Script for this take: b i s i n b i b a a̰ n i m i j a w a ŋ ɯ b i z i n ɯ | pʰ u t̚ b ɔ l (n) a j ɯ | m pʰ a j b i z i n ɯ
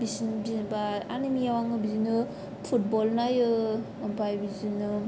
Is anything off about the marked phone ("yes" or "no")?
no